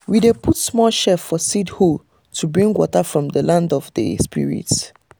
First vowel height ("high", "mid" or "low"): high